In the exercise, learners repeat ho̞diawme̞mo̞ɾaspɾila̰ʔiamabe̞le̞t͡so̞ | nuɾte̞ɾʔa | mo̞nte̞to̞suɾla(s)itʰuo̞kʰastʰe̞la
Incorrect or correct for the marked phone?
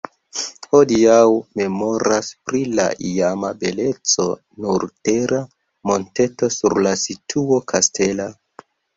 correct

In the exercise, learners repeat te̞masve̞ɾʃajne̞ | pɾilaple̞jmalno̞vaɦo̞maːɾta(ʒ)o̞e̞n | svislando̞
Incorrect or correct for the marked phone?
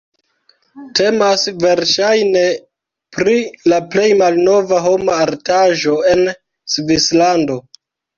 correct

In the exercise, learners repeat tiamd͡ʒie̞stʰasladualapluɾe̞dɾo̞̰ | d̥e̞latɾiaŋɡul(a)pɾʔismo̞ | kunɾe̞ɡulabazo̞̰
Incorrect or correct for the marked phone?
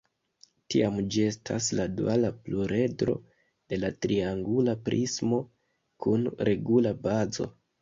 correct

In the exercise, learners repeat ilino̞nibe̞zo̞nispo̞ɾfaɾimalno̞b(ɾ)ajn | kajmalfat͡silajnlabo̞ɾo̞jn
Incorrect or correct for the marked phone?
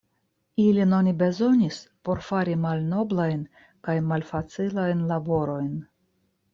incorrect: l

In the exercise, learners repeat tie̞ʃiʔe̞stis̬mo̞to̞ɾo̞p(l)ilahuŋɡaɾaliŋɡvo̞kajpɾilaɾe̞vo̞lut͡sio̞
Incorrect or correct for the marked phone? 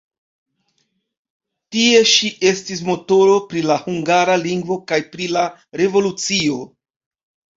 incorrect: ɾ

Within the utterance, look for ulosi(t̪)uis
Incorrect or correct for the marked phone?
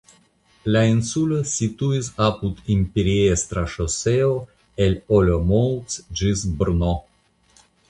correct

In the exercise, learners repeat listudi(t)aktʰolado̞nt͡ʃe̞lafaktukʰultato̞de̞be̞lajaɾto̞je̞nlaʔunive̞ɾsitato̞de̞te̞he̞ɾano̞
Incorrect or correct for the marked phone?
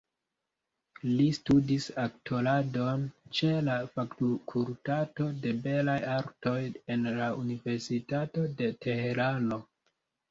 incorrect: s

